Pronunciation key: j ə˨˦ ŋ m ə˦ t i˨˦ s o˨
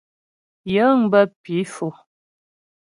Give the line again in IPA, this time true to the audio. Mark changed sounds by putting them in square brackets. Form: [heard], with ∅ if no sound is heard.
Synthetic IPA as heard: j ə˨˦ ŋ [b] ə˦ [p] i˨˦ [f] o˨